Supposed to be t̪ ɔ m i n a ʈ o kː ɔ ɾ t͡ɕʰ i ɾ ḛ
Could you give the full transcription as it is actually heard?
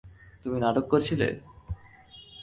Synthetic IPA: t̪ u m i n a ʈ o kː o ɾ t͡ɕʰ i l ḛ